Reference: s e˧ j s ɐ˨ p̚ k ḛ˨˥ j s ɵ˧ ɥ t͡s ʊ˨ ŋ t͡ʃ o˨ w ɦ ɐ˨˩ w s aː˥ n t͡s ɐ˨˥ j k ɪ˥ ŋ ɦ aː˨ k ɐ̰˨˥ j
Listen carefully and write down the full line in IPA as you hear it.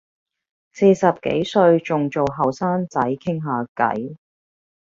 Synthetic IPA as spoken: s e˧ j s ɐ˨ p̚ k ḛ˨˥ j s ɵ˧ ɥ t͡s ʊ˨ ŋ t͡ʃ o˨ w ɦ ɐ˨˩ w s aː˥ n t͡s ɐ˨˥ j kʰ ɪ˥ ŋ ɦ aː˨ k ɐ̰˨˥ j